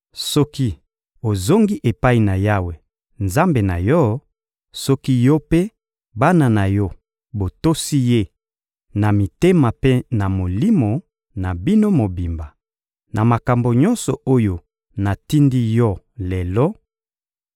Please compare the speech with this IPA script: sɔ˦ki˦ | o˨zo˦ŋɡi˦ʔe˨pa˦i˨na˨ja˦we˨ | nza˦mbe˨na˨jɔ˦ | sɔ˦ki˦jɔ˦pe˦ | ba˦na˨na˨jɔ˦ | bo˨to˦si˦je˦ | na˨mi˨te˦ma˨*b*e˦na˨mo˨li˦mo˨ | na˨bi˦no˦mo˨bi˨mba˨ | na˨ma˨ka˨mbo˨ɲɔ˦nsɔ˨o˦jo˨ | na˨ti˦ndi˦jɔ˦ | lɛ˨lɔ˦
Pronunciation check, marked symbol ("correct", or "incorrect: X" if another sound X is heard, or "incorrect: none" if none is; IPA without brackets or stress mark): incorrect: p